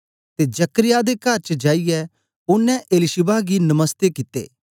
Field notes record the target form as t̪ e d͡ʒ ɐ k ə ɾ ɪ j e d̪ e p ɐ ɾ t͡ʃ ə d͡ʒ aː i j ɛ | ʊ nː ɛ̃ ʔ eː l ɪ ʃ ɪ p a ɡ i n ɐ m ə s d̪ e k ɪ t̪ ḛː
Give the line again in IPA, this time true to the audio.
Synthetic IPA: t̪ e d͡ʒ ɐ k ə ɾ ɪ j a d̪ e k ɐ ɾ t͡ʃ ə d͡ʒ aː i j ɛ | ʊ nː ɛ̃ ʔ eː l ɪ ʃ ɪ b a ɡ i n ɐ m ə s t̪ e k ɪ t̪ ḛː